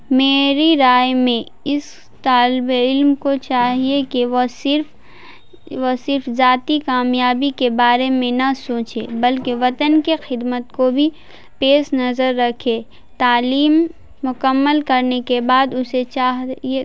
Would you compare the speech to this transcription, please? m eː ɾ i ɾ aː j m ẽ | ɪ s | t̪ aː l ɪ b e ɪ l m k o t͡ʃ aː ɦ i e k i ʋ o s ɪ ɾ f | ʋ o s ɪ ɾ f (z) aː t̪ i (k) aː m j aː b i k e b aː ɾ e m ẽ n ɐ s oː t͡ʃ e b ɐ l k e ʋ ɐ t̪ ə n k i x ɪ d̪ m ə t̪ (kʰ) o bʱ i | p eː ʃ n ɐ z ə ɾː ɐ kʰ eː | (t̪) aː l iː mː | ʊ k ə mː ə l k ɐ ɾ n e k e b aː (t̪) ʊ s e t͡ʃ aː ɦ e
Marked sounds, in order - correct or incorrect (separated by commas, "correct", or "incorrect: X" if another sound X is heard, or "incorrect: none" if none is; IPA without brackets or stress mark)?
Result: correct, correct, incorrect: k, correct, incorrect: d̪